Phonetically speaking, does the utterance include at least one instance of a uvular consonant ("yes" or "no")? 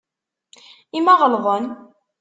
yes